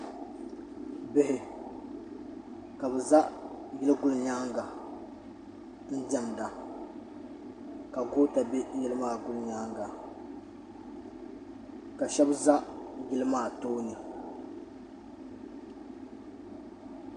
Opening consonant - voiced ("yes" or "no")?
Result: yes